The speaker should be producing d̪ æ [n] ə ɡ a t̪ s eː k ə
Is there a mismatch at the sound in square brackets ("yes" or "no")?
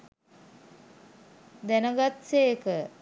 no